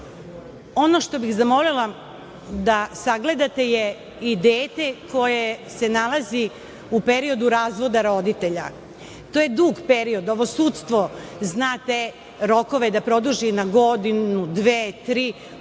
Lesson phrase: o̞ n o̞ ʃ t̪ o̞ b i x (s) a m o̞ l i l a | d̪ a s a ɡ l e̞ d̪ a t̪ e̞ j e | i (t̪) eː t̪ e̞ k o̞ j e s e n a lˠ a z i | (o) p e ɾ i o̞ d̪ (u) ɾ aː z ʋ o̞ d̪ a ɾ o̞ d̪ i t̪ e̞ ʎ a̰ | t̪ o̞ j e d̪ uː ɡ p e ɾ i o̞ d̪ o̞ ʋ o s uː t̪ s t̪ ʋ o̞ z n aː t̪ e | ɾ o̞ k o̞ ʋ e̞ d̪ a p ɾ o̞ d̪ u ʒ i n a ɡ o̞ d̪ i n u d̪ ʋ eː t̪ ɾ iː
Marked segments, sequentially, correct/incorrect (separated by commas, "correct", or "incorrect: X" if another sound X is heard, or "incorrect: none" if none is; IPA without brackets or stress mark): incorrect: z, incorrect: d̪, incorrect: u, correct